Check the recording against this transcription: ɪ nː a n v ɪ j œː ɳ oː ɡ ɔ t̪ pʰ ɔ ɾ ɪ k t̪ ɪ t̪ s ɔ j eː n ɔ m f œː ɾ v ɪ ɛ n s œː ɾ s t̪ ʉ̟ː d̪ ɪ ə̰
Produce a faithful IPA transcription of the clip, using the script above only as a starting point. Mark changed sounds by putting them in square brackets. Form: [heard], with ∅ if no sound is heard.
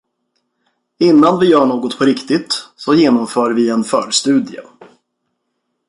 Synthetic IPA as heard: ɪ nː a n v ɪ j œː ɳ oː ɡ ɔ t̪ pʰ ɔ ɾ ɪ k t̪ ɪ t̪ s ɔ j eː n ɔ m f œː ɾ v ɪ ɛ n [f] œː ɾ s t̪ ʉ̟ː d̪ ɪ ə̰